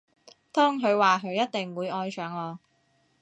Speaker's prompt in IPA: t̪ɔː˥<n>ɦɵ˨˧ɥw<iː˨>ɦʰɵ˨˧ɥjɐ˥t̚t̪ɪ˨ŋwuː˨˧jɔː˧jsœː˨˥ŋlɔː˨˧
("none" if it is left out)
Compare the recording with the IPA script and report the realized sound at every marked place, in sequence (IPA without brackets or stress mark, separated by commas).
ŋ, aː˨